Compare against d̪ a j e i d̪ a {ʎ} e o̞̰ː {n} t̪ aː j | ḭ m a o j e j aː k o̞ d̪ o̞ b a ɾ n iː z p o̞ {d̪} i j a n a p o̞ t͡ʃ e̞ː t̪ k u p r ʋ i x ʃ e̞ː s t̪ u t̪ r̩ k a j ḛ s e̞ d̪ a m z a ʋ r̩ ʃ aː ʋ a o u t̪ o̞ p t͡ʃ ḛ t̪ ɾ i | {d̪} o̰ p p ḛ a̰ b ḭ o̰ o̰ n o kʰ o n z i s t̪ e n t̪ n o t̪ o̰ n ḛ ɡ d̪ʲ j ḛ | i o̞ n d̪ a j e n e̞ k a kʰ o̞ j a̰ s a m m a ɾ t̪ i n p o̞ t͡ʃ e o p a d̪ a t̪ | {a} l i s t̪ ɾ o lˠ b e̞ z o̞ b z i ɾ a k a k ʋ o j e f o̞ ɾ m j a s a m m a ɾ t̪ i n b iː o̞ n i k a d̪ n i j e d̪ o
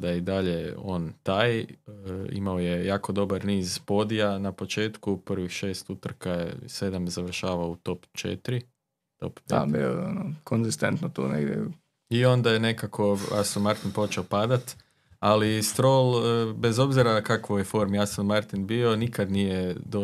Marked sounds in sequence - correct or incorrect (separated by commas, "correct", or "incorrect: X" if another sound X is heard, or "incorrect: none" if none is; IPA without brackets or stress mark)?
correct, correct, correct, incorrect: t̪, correct